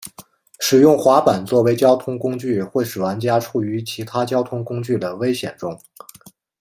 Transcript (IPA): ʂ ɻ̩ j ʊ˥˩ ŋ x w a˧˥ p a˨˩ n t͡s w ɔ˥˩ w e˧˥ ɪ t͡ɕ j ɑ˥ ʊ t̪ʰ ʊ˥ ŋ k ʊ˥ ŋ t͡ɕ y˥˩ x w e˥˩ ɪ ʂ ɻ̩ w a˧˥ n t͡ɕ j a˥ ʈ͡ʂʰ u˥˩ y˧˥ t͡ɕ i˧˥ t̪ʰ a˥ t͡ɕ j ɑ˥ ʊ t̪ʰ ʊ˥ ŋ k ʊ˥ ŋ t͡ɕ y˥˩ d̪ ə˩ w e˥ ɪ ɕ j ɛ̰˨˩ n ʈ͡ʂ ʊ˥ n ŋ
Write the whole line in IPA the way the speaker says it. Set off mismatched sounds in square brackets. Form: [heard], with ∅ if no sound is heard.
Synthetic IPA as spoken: ʂ ɻ̩ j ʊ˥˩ ŋ x w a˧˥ p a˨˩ n t͡s w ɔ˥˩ w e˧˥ ɪ t͡ɕ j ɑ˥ ʊ t̪ʰ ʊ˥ ŋ k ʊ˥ ŋ t͡ɕ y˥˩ x w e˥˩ ɪ ʂ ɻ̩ w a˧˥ n t͡ɕ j a˥ ʈ͡ʂʰ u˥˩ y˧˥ [t͡ɕʰ] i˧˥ t̪ʰ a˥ t͡ɕ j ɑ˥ ʊ t̪ʰ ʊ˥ ŋ k ʊ˥ ŋ t͡ɕ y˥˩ d̪ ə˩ w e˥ ɪ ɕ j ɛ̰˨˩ n ʈ͡ʂ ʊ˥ [∅] ŋ